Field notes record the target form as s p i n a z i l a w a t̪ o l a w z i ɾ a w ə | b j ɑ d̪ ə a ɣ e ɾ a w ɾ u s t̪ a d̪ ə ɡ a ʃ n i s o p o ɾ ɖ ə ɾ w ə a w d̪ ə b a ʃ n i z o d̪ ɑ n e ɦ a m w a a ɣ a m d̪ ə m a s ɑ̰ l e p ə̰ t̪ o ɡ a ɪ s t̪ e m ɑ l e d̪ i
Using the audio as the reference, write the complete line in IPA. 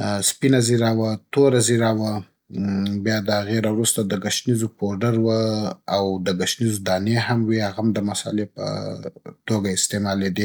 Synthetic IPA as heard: s p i n a z i ɾ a w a t̪ o ɾ a z i ɾ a w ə | b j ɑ d̪ ə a ɣ e ɾ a w ɾ u s t̪ a d̪ ə ɡ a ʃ n i z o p o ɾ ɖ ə ɾ w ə a w d̪ ə ɡ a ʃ n i z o d̪ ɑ n e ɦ a m w i a ɣ a m d̪ ə m a s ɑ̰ l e p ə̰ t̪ o ɡ a ɪ s t̪ e m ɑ l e d̪ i